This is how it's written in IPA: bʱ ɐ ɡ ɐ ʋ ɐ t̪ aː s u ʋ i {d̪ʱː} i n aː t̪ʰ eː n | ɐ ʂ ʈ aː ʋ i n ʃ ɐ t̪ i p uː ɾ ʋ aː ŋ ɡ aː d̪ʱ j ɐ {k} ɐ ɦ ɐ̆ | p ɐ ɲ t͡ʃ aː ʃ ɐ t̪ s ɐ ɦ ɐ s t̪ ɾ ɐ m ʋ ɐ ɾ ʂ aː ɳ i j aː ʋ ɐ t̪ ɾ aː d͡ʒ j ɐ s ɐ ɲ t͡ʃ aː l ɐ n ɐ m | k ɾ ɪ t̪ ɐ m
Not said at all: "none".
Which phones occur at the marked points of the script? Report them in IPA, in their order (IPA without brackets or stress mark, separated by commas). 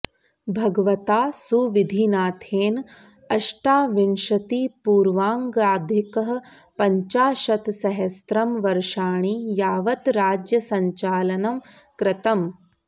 d̪ʱ, k